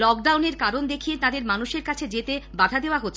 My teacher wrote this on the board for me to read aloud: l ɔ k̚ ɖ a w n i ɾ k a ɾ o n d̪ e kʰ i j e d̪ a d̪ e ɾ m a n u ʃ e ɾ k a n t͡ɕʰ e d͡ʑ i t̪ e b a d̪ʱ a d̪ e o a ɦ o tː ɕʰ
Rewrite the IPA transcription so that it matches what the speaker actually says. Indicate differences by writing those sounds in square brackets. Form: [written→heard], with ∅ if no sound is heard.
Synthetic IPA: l ɔ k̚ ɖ a w n [i→e] ɾ k a ɾ o n d̪ e kʰ i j e [d̪→t̪] a d̪ e ɾ m a n u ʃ e ɾ k a [n→∅] t͡ɕʰ e d͡ʑ [i→e] t̪ e b a d̪ʱ a d̪ e o a ɦ o tː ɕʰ